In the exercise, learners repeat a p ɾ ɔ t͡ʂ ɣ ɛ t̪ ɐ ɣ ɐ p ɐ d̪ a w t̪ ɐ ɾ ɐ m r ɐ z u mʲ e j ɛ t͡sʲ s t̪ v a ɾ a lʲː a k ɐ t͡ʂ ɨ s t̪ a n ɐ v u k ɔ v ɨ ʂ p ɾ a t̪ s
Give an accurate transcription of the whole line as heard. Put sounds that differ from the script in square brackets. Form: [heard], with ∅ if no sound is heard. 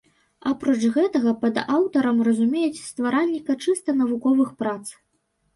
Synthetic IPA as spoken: a p ɾ ɔ t͡ʂ ɣ ɛ t̪ ɐ ɣ ɐ p ɐ d̪ a w t̪ ɐ ɾ ɐ m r ɐ z u mʲ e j ɛ t͡sʲ s t̪ v a ɾ a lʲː [i] k ɐ t͡ʂ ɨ s t̪ [ɐ] n ɐ v u k ɔ v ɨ [x] p ɾ a t̪ s